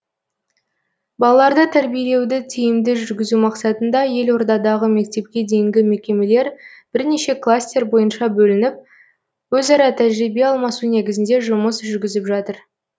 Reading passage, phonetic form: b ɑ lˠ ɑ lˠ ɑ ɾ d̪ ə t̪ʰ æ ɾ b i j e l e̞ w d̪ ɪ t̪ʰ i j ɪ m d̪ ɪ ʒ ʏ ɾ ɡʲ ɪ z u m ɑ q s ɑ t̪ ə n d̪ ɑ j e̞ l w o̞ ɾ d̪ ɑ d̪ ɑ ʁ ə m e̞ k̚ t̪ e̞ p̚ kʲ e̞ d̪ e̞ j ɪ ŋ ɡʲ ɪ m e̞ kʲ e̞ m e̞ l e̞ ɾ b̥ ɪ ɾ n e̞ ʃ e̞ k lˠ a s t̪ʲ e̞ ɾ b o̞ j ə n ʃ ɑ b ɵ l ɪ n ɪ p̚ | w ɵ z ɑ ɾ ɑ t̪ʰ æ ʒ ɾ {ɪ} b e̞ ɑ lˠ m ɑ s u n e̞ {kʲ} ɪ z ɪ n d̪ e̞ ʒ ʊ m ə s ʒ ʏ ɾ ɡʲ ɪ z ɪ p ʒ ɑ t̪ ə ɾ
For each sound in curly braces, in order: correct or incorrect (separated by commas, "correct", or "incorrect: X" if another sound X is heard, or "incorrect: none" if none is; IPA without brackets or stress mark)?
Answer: incorrect: i, incorrect: ɡʲ